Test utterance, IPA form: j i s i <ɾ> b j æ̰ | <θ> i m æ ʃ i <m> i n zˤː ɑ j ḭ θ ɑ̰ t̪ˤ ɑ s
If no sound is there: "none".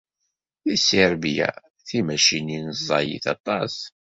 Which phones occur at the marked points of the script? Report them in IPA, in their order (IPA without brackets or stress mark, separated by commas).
ɾ, θ, n